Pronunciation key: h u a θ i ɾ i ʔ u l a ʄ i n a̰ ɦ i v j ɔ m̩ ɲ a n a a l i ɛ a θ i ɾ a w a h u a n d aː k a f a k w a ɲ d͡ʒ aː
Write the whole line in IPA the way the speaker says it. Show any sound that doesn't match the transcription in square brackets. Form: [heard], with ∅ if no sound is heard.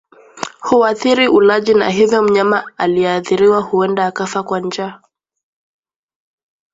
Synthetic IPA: h u a θ i ɾ i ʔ u l a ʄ i n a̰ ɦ i v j ɔ m̩ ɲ a [m] a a l i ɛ a θ i ɾ [i] w a h u [ɛ] n d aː k a f a k w a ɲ d͡ʒ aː